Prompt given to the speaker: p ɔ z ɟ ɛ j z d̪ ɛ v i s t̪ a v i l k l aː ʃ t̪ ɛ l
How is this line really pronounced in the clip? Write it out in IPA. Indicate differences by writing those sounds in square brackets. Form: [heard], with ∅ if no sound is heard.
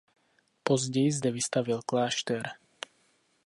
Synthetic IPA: p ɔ z ɟ ɛ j z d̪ ɛ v i s t̪ a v i l k l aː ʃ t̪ ɛ [ɾ]